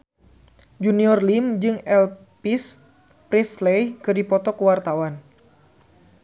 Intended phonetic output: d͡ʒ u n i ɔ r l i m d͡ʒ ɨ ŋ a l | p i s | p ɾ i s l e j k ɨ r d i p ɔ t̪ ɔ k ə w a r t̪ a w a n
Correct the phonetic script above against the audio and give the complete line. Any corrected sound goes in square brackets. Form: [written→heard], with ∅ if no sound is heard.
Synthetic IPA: d͡ʒ u n i ɔ r l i m d͡ʒ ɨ ŋ [a→ɛ] l | p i s | p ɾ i s l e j k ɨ r d i p ɔ t̪ ɔ k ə w a r t̪ a w a n